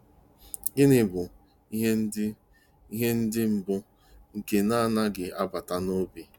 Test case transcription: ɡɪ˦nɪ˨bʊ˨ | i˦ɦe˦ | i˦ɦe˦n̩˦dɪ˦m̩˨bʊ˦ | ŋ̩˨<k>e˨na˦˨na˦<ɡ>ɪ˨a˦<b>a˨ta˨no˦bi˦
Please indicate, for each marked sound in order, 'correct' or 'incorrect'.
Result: correct, correct, correct

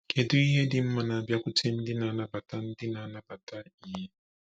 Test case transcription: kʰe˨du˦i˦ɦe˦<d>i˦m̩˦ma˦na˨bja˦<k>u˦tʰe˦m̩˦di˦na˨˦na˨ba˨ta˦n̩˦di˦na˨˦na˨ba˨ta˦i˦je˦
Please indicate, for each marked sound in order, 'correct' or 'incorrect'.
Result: correct, correct

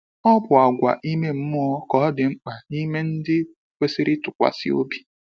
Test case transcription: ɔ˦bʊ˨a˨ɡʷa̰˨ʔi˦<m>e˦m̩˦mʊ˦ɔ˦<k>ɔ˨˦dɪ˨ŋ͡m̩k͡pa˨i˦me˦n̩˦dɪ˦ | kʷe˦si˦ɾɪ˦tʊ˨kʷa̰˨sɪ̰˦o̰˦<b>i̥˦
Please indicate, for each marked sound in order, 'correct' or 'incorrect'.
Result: correct, correct, correct

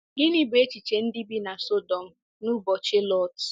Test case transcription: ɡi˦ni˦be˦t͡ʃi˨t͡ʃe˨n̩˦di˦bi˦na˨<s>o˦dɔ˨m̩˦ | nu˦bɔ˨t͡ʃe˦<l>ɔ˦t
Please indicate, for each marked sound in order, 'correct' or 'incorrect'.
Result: correct, correct

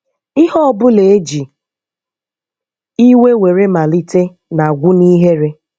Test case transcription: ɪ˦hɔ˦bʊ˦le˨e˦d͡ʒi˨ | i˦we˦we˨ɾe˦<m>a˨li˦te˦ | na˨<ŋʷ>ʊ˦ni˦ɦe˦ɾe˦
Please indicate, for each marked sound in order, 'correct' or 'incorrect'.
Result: correct, incorrect: ɡʷ

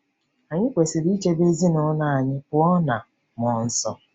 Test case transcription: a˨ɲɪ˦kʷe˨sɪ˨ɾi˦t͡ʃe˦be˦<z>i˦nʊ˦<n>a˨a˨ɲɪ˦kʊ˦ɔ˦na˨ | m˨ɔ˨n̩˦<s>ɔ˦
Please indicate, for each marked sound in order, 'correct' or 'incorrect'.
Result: correct, correct, correct

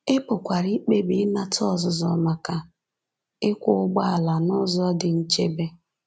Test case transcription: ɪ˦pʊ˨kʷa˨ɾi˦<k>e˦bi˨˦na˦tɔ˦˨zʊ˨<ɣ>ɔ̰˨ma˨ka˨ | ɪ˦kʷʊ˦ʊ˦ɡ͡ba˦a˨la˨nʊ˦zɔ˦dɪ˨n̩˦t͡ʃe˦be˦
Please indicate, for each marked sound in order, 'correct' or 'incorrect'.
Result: incorrect: k͡p, incorrect: z

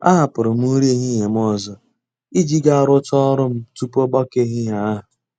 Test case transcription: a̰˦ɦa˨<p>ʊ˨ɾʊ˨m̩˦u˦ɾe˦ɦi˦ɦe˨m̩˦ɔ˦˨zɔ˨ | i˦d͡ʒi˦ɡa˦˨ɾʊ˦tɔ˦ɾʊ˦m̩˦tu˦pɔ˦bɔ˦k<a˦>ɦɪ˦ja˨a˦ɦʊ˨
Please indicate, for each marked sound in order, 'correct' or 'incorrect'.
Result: correct, incorrect: e˦

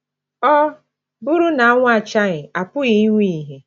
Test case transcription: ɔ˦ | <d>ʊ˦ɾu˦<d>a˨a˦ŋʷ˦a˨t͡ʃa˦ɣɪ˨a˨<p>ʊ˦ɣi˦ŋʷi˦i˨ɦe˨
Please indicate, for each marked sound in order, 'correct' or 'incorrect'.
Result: incorrect: b, incorrect: n, correct

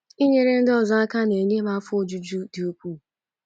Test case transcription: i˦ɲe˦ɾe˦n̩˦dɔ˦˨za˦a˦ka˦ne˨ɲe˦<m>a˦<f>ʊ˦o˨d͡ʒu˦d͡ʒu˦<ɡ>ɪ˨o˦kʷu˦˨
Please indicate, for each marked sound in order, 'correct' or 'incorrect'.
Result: correct, correct, incorrect: d

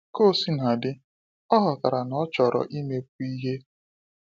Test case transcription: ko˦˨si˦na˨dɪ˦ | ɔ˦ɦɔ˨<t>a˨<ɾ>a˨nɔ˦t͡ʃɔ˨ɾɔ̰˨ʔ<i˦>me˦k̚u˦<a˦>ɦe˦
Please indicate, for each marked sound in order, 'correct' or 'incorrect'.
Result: incorrect: k, correct, correct, incorrect: i˦

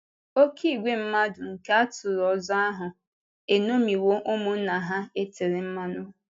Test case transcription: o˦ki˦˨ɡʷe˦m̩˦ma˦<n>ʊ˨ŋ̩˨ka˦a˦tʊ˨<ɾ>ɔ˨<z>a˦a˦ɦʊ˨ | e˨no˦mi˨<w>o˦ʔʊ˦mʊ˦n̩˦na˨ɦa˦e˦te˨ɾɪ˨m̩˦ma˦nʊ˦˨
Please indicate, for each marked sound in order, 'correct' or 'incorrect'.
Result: incorrect: d, correct, correct, correct

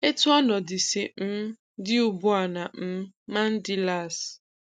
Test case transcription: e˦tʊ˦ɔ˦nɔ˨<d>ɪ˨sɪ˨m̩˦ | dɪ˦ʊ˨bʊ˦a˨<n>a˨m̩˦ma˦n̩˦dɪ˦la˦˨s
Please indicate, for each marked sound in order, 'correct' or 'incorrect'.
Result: correct, correct

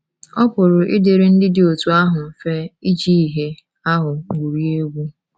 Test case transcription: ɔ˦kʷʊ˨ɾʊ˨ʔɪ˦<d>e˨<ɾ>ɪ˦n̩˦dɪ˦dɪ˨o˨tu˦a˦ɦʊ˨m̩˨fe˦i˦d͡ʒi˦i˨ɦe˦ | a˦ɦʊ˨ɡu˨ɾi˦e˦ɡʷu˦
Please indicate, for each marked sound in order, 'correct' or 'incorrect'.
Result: correct, correct

